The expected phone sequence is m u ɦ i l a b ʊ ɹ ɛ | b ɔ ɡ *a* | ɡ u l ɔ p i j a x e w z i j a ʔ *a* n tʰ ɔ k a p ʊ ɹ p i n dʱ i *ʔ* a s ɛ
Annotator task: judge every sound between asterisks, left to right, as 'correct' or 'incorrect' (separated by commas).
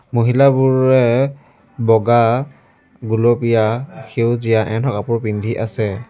correct, incorrect, correct